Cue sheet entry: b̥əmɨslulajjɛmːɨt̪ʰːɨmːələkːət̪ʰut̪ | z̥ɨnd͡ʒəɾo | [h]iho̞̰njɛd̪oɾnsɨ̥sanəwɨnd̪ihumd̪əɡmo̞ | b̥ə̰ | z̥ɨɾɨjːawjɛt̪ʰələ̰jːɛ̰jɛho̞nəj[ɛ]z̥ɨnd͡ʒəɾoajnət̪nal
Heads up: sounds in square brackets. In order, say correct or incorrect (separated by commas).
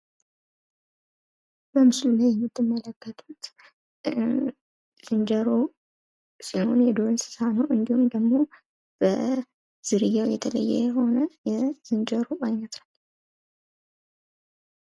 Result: incorrect, correct